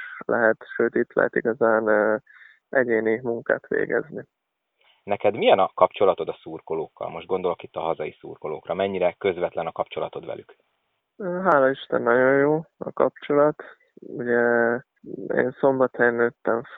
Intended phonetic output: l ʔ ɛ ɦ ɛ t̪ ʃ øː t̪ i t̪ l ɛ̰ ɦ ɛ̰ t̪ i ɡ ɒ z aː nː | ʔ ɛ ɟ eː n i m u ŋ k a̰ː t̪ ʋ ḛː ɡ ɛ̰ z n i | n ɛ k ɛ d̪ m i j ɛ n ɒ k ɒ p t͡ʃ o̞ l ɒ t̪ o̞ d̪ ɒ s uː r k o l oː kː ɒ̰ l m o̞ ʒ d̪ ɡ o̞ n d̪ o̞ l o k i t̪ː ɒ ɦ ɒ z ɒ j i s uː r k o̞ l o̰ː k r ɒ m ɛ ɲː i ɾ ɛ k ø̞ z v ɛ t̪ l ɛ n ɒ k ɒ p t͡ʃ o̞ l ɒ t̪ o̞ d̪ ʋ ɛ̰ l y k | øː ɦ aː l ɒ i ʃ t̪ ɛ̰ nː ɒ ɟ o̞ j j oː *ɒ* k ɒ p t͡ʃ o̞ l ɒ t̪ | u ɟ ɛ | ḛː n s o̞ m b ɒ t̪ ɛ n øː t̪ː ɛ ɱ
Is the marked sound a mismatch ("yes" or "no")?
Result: no